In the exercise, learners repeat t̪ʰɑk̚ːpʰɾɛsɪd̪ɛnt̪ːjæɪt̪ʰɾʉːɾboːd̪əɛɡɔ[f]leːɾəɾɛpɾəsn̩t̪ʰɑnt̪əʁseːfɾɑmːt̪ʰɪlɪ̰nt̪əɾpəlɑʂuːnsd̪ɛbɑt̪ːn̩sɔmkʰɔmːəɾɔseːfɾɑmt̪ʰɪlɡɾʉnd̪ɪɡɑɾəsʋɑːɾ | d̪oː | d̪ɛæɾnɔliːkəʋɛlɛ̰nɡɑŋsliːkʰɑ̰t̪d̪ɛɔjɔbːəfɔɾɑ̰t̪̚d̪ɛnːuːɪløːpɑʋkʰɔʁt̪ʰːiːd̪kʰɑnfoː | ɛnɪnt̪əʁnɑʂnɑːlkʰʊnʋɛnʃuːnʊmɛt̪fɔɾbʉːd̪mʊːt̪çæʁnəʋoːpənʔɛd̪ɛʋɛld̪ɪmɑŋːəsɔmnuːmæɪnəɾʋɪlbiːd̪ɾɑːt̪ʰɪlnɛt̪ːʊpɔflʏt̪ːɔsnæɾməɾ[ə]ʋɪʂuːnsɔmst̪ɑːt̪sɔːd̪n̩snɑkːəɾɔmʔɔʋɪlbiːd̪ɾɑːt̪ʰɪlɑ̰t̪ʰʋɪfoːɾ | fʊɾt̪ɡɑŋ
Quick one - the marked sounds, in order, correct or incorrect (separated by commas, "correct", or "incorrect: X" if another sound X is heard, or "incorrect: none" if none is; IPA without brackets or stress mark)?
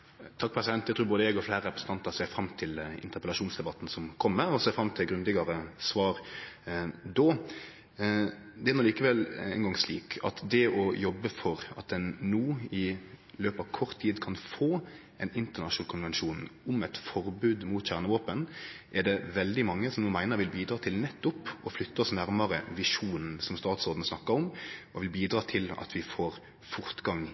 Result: correct, correct